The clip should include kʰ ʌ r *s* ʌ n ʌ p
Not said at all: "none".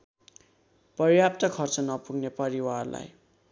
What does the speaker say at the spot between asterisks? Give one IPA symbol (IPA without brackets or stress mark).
t͡s